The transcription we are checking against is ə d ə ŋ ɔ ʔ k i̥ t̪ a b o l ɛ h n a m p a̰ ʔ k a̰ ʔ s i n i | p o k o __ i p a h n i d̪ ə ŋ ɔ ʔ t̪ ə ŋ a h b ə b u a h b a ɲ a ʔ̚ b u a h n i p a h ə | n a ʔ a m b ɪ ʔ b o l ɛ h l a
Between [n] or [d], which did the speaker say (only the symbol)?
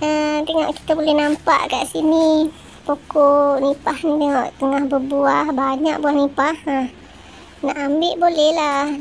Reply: n